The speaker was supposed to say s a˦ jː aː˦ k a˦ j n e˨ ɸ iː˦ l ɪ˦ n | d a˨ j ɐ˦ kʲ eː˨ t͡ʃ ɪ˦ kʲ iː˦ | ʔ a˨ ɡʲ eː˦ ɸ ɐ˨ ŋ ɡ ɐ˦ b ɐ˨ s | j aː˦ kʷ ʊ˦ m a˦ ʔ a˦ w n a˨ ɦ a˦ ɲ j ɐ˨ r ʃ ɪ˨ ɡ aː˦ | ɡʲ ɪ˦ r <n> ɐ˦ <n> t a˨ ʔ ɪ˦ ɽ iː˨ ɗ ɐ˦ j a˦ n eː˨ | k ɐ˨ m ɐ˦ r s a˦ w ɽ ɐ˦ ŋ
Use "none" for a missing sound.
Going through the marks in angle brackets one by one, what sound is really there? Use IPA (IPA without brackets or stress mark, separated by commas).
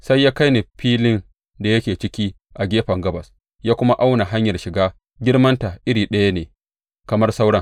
m, n